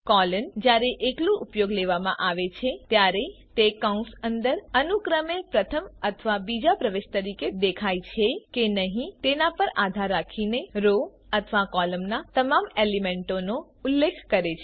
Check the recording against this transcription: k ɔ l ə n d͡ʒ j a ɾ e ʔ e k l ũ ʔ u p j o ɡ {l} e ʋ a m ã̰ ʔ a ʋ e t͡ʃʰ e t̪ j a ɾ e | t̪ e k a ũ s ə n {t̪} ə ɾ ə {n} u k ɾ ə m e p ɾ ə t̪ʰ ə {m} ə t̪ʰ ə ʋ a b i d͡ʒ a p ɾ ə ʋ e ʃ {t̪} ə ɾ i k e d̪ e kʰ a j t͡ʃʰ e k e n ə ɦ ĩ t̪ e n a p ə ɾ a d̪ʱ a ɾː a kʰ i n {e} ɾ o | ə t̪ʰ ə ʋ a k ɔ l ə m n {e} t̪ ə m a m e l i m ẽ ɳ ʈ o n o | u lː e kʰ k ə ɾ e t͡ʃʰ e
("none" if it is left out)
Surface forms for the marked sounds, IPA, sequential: l, d̪, n, m, t̪, e, a

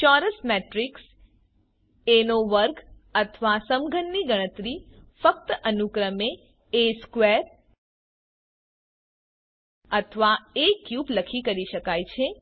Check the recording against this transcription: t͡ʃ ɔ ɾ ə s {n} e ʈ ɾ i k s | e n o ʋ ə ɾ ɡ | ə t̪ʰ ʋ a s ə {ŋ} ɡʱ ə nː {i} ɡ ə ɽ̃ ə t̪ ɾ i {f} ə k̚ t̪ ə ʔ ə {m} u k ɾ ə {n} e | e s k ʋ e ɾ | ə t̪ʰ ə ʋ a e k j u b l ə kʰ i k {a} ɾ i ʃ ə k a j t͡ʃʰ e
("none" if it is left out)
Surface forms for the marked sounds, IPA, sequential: m, m, i, f, n, m, ə

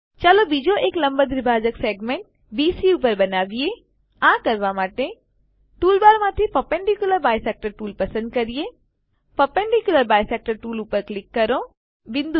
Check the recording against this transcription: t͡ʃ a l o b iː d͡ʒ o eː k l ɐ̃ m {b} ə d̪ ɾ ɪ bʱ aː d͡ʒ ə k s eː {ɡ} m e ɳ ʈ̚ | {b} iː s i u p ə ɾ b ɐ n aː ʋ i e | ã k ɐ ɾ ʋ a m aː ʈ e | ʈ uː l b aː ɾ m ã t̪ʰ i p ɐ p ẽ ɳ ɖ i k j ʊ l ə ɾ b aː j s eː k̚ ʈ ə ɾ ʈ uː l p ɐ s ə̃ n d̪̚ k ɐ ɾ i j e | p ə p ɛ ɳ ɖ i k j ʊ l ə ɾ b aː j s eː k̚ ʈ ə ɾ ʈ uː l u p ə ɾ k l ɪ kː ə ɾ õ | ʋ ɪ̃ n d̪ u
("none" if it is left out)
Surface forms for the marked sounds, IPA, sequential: b, ɡ, b

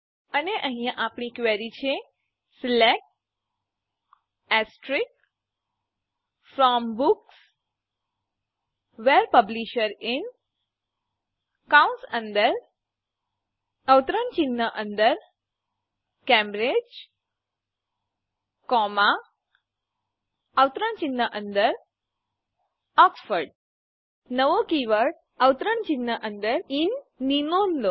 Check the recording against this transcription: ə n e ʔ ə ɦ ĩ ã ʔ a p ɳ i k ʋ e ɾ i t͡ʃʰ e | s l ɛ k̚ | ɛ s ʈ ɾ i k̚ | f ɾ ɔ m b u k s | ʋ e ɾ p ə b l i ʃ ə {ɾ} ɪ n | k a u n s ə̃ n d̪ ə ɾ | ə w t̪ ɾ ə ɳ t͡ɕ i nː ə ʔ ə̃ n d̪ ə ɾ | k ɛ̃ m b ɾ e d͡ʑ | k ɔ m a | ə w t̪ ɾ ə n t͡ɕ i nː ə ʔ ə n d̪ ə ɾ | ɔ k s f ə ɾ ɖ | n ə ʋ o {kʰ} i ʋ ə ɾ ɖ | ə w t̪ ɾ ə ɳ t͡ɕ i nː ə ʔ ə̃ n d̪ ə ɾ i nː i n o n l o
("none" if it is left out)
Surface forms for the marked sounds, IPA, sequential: ɾ, k

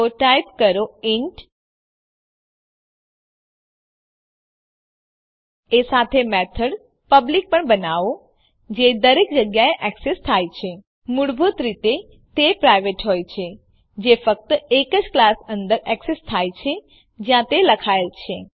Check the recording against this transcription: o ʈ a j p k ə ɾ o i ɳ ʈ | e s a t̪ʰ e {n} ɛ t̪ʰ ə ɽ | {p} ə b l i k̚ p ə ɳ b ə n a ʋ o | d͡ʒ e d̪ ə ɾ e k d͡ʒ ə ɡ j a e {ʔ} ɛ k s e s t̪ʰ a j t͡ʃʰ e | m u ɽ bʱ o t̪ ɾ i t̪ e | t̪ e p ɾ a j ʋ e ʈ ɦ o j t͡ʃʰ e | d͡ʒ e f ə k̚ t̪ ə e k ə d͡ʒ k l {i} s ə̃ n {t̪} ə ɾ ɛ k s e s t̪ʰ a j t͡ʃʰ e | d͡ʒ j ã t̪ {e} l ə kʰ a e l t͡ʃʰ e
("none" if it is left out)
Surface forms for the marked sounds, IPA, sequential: m, p, ʔ, a, d̪, e

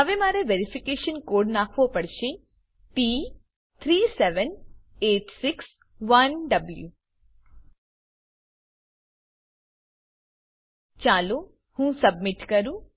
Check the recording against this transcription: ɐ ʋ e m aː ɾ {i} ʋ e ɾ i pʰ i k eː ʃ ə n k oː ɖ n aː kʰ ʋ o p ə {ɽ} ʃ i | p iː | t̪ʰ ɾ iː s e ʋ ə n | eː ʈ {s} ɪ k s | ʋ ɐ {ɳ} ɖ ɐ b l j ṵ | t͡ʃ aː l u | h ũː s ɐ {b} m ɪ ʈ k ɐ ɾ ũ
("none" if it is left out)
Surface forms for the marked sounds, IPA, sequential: e, ɽ, s, n, b

